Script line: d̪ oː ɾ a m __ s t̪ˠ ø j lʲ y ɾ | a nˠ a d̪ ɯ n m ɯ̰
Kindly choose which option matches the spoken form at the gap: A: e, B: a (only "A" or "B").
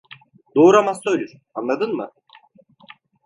B